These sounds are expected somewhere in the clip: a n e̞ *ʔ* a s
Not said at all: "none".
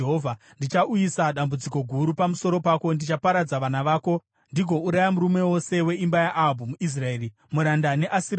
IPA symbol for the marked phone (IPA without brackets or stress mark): ʔ